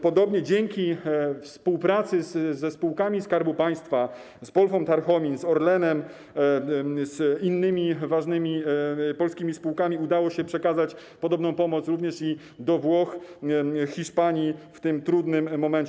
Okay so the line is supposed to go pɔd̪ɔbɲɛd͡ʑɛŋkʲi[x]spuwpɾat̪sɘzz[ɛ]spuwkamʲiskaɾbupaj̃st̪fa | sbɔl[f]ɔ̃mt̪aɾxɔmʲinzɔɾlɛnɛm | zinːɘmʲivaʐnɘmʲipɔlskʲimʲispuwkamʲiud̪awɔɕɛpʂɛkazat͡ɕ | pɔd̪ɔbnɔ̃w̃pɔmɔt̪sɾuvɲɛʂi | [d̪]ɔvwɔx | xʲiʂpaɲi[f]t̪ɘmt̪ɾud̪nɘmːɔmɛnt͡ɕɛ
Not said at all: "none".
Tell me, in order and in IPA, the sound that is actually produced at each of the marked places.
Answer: f, ɛ, f, d̪, f

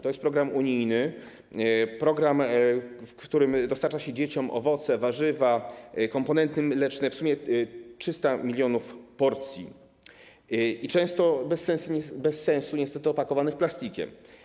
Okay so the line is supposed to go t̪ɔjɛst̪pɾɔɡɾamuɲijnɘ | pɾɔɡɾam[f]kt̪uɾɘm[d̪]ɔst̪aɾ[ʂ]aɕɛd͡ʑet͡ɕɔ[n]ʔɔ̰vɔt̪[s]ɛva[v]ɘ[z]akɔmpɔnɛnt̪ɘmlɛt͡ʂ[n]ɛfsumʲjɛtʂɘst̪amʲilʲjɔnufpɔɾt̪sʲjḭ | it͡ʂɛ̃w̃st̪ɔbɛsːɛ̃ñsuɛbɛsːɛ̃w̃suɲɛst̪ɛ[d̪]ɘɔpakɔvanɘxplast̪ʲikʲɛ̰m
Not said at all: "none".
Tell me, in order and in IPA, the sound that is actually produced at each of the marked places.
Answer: f, d̪, t͡ʂ, m, s, ʐ, v, n, t̪

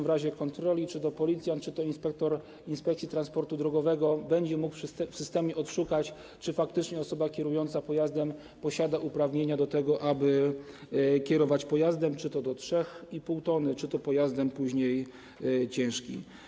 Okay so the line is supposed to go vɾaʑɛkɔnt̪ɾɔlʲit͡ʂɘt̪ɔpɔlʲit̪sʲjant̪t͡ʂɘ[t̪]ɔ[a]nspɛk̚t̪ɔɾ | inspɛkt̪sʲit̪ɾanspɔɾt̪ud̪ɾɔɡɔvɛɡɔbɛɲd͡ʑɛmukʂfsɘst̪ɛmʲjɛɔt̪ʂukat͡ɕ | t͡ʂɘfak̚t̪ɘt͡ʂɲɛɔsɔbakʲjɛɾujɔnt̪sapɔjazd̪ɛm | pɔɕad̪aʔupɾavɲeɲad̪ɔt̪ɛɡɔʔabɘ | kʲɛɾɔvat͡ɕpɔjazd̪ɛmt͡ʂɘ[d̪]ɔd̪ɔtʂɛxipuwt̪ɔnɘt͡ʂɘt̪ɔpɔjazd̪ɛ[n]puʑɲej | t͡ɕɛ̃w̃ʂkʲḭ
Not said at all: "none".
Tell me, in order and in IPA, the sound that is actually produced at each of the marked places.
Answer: t̪, i, t̪, m

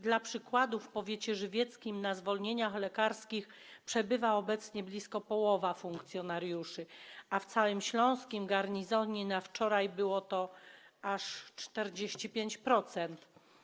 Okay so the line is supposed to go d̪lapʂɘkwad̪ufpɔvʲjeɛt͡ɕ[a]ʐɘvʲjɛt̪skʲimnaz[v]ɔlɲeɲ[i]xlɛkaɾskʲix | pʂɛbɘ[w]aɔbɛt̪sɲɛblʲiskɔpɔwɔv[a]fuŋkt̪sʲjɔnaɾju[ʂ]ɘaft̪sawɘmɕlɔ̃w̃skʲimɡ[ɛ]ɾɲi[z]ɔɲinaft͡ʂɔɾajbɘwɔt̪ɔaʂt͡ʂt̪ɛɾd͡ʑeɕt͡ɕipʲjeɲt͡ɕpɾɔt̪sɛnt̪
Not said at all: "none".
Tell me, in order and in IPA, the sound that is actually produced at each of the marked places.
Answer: ɛ, v, a, v, a, ʂ, a, z

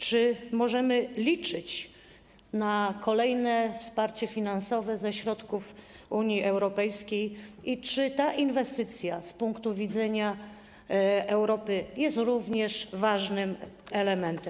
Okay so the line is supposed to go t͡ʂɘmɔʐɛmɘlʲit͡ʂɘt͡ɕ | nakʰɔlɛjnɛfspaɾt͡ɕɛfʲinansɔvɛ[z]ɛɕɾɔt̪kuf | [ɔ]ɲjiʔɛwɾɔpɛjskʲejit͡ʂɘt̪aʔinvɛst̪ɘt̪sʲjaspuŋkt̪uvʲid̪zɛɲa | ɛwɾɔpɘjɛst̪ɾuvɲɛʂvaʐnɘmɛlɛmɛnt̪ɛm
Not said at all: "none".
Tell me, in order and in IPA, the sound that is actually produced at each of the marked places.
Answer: z, u

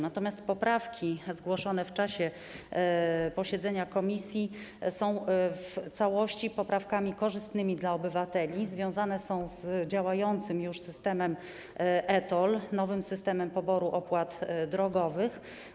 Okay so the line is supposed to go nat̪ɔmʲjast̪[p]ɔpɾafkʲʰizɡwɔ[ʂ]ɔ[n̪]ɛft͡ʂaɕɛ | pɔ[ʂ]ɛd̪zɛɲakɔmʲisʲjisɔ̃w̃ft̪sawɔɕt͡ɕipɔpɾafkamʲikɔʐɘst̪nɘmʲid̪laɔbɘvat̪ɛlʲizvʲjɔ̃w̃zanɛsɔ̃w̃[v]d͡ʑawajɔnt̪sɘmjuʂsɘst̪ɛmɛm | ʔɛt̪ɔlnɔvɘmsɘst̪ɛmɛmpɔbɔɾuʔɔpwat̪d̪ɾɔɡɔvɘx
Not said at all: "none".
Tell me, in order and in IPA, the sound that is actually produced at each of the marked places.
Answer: p, ʂ, n̪, ɕ, z

